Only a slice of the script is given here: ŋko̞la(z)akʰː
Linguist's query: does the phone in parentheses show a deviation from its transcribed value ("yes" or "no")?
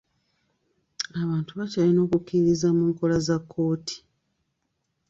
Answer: no